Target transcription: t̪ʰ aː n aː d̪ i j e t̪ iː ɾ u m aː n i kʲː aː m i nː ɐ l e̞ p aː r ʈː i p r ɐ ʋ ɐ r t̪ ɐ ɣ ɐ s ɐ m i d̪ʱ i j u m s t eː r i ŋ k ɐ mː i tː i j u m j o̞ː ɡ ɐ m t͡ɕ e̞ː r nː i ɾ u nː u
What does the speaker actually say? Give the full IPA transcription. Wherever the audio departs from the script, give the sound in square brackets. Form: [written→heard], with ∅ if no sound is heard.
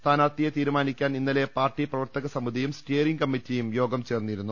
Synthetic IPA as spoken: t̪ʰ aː n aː [d̪→t̪] i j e t̪ iː ɾ u m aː n i kʲː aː [m→n] i nː ɐ l e̞ p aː r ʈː i p r ɐ ʋ ɐ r t̪ ɐ ɣ ɐ s ɐ m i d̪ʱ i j u m s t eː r i ŋ k ɐ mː i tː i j u m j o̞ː ɡ ɐ m t͡ɕ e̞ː r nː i ɾ u nː u